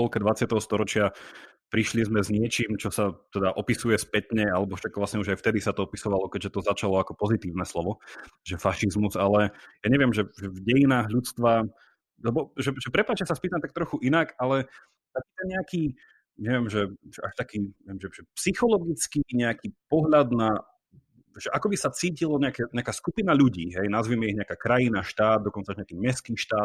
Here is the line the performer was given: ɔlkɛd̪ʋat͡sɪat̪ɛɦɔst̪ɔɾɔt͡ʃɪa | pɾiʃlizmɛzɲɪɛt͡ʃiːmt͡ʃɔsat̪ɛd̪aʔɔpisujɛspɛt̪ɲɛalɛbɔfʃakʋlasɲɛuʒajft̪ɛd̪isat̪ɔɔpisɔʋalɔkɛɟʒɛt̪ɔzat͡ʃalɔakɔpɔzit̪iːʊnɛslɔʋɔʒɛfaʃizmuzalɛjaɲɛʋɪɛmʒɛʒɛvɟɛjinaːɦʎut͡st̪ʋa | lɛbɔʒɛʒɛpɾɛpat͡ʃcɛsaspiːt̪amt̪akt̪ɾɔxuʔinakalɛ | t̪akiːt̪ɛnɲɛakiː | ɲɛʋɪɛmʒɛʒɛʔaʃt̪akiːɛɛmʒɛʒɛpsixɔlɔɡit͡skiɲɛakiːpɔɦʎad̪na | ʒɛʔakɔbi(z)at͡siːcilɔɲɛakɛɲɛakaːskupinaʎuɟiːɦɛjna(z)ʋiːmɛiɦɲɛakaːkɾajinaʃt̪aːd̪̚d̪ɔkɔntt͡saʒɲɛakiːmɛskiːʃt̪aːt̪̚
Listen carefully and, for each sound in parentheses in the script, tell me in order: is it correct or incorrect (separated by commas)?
incorrect, correct